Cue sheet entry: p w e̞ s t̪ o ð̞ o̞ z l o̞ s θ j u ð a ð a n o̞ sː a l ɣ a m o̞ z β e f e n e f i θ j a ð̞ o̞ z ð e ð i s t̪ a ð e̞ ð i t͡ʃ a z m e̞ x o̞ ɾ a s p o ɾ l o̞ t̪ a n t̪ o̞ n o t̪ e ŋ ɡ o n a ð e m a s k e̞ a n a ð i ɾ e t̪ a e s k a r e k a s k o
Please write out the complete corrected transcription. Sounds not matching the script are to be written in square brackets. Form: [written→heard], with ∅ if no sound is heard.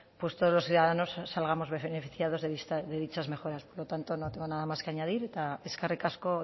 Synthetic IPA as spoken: p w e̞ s t̪ o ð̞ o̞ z l o̞ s θ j u ð a ð a n o̞ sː a l ɣ a m o̞ z β e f e n e f i θ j a ð̞ o̞ z ð e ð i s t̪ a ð e̞ ð i t͡ʃ a z m e̞ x o̞ ɾ a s p o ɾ l o̞ t̪ a n t̪ o̞ n o t̪ e ŋ ɡ o n a ð [e→a] m a s k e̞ a [n→ɲ] a ð i ɾ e t̪ a e s k a r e k a s k o